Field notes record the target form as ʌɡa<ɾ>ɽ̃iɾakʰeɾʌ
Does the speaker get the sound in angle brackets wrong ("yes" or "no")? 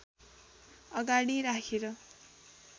yes